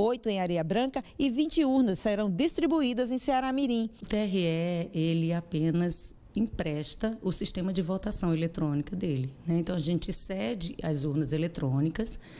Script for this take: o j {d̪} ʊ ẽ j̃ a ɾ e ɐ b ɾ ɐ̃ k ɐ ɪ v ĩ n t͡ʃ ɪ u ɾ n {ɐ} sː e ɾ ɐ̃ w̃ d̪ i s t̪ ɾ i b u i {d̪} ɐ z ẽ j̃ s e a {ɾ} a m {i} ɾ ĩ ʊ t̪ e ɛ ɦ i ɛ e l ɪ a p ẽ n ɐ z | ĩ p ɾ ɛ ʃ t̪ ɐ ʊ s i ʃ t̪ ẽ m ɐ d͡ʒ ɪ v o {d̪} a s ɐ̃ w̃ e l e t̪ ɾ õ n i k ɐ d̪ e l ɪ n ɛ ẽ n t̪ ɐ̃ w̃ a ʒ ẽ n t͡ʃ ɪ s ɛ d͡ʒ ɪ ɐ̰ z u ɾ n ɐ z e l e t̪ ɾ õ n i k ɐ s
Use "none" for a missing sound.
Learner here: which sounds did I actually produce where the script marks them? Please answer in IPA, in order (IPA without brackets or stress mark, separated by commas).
t̪, ɐ, d̪, ɾ, i, t̪